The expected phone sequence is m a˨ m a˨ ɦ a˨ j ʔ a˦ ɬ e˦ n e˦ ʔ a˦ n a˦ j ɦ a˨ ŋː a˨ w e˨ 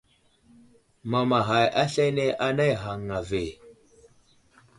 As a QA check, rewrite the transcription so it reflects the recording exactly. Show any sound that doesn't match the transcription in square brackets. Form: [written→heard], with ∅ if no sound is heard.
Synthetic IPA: m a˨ m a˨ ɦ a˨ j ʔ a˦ ɬ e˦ n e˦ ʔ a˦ n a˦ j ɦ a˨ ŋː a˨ [w→v] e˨